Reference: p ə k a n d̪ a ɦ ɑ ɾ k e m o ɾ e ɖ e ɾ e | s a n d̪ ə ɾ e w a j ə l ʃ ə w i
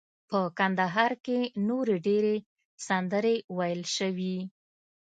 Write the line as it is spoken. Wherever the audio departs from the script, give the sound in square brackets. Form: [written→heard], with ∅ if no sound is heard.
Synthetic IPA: p ə k a n d̪ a ɦ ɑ ɾ k e [m→n] o ɾ e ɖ e ɾ e | s a n d̪ ə ɾ e w a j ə l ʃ ə w i